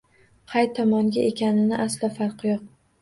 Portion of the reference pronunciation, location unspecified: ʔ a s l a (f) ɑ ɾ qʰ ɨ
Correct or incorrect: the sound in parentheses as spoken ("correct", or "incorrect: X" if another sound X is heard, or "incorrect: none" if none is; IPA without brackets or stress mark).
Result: correct